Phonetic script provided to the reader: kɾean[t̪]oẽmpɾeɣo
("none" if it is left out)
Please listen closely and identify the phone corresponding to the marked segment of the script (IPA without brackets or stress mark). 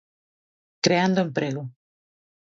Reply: d̪